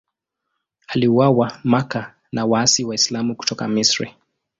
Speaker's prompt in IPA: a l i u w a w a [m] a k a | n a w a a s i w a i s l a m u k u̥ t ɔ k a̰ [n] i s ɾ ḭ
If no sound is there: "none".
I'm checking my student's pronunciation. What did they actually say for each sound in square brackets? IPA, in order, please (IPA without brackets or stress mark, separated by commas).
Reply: m, m